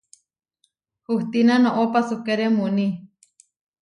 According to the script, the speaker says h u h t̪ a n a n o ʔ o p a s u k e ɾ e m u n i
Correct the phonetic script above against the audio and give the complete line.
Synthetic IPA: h u h t̪ i n a n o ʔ o p a s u k e ɾ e m u n i